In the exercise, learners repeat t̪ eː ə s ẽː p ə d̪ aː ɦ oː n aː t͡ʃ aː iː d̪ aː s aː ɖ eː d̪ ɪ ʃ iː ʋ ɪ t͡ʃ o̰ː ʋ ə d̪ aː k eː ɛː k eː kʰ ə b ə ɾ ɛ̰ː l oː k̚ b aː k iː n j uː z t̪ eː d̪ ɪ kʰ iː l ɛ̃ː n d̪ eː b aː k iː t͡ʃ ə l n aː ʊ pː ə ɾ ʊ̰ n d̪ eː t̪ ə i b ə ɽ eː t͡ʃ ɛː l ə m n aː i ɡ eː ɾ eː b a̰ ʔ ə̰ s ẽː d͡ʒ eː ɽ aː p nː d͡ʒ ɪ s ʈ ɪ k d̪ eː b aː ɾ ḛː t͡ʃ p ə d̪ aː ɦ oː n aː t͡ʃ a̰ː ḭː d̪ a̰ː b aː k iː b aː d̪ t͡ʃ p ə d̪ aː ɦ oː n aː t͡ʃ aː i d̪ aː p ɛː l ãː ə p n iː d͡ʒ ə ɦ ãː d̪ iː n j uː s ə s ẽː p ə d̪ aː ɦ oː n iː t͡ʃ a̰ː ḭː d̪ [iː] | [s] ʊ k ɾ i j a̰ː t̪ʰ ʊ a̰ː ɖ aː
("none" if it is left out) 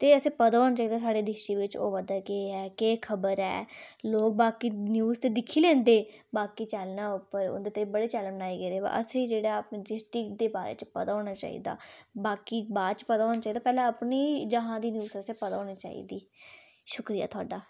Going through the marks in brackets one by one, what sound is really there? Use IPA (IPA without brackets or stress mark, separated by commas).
iː, ʃ